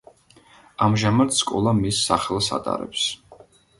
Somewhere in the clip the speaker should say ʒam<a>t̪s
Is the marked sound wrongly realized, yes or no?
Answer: no